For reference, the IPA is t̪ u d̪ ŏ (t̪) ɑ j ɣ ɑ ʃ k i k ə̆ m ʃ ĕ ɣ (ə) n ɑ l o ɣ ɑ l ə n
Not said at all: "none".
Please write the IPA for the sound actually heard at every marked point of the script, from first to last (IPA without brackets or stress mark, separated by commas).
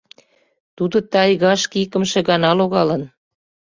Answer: t̪, ɑ